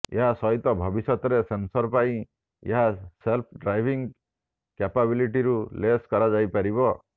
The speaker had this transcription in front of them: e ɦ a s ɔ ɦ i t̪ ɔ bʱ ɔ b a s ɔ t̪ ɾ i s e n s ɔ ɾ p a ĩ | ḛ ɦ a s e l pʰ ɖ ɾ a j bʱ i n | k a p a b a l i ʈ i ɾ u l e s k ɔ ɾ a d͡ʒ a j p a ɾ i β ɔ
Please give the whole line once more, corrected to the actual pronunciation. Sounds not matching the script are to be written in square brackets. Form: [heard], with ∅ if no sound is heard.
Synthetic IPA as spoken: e ɦ a s ɔ ɦ i t̪ ɔ bʱ ɔ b [i] s ɔ t̪ ɾ [e] s e n s ɔ ɾ p a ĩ | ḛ ɦ a s e l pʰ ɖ ɾ a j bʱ i [ŋ] | k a p a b [i] l i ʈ i ɾ u l e s k ɔ ɾ a d͡ʒ a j p a ɾ i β ɔ